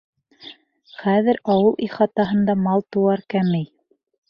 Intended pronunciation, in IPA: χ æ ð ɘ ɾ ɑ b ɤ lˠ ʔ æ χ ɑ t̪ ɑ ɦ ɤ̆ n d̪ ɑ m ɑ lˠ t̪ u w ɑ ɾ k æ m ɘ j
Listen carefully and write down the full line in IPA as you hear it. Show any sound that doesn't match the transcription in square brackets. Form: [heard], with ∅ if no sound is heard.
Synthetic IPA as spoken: χ æ ð ɘ ɾ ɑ [w] ɤ lˠ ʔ [i] χ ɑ t̪ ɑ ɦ ɤ̆ n d̪ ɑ m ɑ lˠ t̪ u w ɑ ɾ k æ m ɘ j